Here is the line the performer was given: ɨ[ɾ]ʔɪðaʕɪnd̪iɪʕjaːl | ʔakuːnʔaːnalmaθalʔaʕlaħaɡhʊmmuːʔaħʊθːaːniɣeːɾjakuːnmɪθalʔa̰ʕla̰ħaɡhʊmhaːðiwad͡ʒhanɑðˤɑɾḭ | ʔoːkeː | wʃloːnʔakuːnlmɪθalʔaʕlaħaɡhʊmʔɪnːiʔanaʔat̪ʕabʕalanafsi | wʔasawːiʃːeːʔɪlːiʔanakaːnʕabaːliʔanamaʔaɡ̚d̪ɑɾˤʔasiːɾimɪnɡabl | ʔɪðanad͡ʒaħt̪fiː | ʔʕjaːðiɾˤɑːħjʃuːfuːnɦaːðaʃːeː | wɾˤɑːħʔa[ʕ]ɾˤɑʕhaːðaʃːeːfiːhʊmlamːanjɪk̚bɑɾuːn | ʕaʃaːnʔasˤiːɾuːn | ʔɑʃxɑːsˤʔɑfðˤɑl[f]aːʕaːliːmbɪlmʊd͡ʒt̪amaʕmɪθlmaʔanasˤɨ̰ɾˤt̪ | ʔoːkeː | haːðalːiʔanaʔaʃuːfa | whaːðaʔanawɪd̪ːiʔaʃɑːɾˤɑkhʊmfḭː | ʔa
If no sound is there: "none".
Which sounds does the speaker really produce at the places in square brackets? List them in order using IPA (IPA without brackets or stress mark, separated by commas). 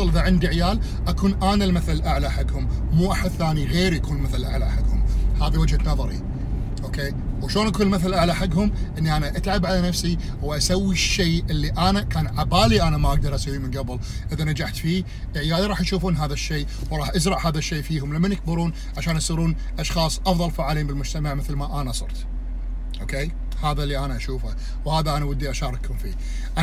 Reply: l, z, f